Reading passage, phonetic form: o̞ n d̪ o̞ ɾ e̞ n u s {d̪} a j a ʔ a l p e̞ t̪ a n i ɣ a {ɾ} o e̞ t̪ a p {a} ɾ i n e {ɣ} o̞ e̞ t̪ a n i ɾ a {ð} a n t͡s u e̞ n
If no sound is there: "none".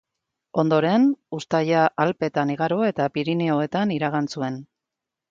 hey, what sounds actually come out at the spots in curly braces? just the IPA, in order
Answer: t̪, ɾ, i, none, ɣ

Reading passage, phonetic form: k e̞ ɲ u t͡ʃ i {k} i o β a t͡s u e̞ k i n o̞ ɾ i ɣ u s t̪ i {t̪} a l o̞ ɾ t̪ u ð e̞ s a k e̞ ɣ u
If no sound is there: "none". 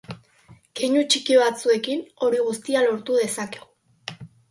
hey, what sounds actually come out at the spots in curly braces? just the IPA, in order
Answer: k, none

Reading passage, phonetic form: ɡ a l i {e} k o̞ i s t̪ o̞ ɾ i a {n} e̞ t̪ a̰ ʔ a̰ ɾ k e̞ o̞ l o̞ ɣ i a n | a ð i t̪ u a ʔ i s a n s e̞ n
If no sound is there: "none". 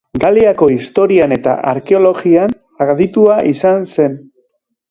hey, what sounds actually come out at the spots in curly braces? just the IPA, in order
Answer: a, n

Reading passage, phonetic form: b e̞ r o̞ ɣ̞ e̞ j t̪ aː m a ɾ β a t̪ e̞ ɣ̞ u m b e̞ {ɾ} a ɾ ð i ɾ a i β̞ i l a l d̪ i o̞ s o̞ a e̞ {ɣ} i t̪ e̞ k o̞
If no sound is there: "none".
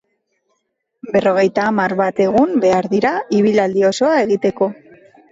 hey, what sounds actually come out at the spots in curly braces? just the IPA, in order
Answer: none, ɣ

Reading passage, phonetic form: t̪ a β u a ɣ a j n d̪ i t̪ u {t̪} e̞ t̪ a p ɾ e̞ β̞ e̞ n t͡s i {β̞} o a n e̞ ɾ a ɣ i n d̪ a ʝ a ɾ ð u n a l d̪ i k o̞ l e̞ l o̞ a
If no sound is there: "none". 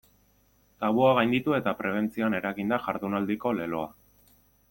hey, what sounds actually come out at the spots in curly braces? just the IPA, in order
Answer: none, none

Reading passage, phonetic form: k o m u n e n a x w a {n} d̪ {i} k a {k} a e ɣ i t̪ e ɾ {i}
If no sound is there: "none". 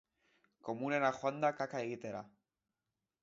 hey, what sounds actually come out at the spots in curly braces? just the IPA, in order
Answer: n, a, k, a

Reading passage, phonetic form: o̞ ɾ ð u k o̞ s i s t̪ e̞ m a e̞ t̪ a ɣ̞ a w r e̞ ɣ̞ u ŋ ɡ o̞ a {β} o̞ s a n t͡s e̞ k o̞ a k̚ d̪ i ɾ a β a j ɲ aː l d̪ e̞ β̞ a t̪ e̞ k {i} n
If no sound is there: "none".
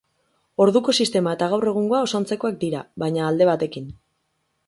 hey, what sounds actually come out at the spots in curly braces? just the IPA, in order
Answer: none, i

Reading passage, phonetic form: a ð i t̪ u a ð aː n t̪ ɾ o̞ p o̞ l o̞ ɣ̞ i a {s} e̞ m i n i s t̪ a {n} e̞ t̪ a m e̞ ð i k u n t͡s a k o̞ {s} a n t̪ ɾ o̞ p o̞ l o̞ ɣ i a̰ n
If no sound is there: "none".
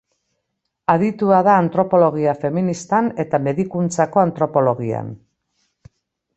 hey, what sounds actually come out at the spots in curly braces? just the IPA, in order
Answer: f, n, none

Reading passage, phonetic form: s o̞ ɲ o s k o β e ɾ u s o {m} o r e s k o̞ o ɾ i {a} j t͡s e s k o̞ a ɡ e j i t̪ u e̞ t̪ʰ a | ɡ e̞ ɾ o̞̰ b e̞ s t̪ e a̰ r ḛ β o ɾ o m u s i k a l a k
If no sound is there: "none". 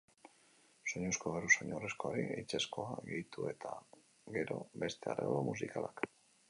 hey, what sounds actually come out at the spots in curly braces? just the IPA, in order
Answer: ɲ, e

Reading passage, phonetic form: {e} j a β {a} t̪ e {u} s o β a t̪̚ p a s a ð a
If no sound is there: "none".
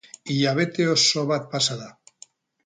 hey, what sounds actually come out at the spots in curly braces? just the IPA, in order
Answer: i, e, o

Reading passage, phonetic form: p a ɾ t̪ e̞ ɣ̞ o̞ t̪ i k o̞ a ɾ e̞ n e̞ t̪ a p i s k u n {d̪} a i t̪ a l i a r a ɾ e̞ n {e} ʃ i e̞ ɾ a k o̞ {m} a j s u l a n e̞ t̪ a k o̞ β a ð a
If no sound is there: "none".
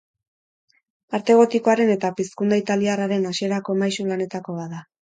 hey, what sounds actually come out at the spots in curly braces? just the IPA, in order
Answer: d̪, a, m

